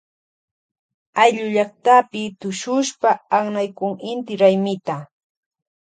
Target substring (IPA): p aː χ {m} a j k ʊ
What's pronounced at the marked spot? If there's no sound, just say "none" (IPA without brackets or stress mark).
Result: n